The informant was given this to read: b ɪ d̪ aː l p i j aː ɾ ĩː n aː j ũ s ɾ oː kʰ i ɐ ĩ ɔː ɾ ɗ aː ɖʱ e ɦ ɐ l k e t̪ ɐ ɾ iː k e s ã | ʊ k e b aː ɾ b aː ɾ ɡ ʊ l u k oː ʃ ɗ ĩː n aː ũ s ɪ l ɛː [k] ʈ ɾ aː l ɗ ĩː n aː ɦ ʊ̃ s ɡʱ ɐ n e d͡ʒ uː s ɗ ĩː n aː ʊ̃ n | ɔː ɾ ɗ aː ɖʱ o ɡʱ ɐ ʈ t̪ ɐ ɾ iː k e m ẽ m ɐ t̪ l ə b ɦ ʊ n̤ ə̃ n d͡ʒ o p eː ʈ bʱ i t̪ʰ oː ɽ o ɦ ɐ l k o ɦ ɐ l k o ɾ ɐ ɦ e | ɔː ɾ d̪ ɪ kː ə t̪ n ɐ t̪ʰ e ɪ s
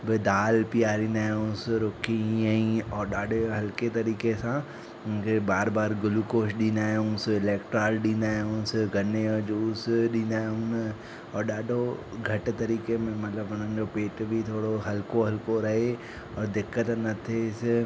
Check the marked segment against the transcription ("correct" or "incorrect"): correct